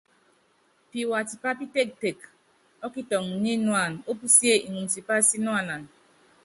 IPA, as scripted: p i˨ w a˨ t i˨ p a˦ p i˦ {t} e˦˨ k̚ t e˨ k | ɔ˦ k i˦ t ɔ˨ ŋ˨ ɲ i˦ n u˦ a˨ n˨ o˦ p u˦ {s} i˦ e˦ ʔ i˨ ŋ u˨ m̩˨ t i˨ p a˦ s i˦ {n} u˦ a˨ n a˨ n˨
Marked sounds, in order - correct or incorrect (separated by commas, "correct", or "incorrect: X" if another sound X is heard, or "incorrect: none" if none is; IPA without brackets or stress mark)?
correct, correct, correct